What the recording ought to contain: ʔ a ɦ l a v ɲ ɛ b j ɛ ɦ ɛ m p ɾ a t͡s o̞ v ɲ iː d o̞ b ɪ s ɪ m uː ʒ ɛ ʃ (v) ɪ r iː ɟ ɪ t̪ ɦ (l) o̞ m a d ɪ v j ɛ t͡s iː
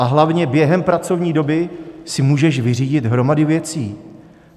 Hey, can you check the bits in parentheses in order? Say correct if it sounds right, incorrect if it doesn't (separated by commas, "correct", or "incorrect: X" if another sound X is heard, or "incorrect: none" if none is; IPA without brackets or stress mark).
correct, incorrect: ɾ